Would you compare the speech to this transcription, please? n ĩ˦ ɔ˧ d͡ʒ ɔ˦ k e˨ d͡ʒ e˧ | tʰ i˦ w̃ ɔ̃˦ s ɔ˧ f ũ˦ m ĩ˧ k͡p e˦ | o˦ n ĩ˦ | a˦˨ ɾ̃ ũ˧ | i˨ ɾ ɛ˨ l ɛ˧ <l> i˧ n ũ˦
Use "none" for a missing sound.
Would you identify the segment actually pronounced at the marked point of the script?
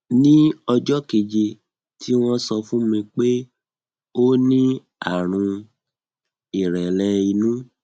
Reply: none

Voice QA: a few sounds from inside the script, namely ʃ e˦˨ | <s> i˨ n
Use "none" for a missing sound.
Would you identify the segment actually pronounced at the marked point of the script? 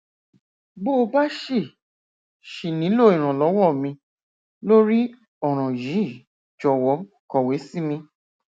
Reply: ʃ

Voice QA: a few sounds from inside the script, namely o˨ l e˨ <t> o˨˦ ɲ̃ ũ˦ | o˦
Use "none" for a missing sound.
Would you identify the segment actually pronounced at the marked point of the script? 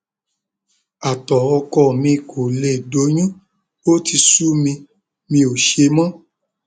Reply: d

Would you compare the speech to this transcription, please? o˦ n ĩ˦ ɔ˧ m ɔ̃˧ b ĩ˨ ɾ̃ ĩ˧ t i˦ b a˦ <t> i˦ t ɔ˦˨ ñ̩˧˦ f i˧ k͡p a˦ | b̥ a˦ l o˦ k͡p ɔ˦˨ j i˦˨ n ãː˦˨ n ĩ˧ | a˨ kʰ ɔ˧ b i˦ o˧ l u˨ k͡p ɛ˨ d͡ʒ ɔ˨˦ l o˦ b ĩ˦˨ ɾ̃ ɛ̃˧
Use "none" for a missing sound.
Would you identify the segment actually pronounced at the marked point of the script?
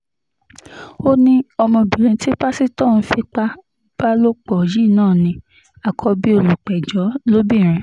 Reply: s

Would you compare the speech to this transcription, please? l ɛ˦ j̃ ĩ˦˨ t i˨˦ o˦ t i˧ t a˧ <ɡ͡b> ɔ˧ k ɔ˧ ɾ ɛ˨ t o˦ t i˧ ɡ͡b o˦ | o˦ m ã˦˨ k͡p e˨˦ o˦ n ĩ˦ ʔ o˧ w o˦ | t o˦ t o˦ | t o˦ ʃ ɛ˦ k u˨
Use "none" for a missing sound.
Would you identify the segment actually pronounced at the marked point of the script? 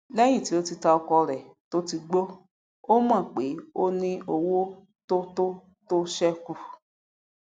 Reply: none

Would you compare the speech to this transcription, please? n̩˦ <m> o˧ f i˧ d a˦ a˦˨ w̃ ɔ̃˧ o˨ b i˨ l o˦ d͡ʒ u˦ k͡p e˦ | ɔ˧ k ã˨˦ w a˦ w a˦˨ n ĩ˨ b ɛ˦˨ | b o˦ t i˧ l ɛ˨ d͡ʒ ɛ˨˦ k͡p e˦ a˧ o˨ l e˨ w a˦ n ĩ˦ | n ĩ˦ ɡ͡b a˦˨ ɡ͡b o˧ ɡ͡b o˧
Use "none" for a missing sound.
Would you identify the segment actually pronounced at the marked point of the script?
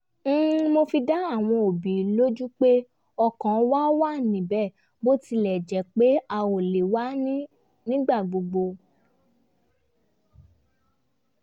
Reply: m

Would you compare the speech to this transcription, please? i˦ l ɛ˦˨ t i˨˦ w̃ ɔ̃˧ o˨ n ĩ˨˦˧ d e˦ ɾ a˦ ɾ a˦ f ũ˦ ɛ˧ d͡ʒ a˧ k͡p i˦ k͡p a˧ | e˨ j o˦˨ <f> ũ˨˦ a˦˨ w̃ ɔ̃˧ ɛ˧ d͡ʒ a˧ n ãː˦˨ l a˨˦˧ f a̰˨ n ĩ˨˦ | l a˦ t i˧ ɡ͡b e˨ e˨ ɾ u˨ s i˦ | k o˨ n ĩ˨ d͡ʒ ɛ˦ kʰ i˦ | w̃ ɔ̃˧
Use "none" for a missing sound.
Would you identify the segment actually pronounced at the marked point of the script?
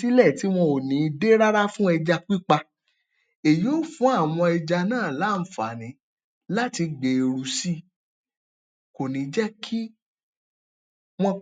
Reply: f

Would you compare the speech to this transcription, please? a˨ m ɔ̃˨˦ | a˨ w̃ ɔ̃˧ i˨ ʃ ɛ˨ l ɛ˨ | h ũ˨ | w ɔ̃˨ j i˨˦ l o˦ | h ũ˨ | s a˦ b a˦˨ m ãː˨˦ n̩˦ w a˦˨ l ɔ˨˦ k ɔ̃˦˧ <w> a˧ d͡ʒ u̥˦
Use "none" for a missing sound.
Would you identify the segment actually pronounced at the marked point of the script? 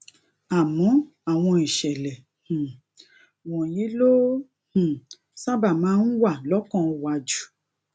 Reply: w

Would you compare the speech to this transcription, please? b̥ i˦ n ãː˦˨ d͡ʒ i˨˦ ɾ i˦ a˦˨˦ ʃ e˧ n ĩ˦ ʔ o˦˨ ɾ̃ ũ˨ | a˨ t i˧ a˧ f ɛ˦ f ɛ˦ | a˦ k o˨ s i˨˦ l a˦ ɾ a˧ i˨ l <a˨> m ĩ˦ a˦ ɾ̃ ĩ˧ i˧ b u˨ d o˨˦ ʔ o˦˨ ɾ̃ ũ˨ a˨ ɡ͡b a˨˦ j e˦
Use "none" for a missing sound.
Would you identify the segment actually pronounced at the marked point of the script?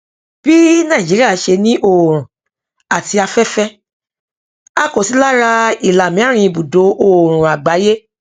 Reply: a˨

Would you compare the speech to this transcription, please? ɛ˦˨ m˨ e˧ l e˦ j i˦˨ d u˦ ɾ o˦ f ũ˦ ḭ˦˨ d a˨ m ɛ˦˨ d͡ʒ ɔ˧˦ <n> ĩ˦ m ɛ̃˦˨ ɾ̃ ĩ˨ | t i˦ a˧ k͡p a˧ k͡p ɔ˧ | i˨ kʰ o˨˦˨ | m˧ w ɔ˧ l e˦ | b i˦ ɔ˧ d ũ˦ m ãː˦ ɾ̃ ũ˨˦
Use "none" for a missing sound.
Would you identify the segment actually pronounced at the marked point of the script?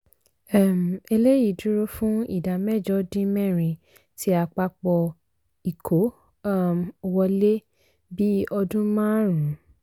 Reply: d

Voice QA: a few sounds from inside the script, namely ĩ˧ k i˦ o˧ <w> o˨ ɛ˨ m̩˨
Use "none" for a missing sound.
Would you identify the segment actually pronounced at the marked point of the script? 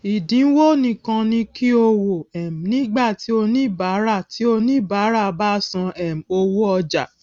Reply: w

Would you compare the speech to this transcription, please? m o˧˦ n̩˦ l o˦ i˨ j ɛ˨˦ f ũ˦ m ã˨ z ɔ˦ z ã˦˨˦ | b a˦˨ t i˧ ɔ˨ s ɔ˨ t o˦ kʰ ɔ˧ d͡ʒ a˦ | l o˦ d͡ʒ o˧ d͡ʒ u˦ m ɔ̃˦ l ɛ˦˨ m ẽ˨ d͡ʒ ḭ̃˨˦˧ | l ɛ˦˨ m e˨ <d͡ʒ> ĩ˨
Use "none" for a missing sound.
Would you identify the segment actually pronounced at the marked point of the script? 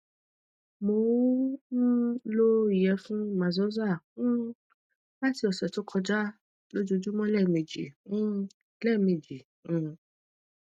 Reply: d͡ʒ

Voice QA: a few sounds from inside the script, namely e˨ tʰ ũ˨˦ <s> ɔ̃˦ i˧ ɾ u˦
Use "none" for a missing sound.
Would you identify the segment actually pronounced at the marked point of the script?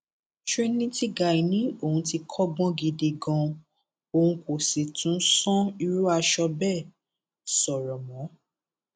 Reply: s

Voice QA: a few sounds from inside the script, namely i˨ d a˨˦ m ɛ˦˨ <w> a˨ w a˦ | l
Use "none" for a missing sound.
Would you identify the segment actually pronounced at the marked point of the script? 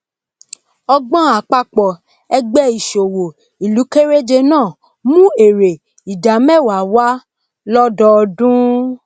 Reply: w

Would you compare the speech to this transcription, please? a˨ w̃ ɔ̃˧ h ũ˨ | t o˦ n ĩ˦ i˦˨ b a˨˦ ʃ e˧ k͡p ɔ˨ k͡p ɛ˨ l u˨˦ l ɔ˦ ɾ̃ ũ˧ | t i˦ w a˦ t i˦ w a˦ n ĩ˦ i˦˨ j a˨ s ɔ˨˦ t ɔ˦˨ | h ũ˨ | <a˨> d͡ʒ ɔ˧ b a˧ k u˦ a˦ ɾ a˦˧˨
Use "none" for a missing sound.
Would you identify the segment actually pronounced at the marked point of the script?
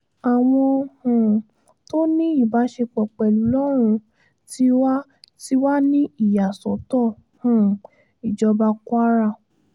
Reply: i˨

